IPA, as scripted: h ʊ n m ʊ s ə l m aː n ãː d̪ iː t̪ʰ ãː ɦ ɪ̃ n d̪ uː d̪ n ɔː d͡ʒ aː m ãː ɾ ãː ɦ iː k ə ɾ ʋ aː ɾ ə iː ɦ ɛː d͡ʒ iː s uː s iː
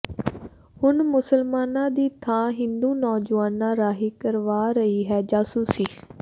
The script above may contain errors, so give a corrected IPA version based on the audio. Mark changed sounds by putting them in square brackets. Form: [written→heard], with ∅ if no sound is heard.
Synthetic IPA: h ʊ n m ʊ s ə l m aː n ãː d̪ iː t̪ʰ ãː ɦ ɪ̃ n d̪ uː [d̪→∅] n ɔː d͡ʒ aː [m→n] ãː ɾ [ãː→aː] ɦ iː k ə ɾ ʋ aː ɾ ə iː ɦ ɛː d͡ʒ [iː→aː] s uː s iː